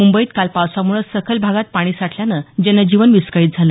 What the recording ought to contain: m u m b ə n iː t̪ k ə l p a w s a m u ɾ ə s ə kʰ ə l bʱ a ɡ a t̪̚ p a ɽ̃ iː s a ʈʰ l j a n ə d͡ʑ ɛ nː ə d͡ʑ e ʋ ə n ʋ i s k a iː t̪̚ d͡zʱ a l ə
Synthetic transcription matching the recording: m u m b ə iː t̪ k a l p a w s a m u ɭ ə s ə kʰ ə l bʱ a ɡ a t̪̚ p a ɽ̃ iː s a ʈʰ l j a n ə d͡ʑ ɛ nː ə d͡ʑ i ʋ ə n ʋ i s k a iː t̪̚ d͡zʱ a l ə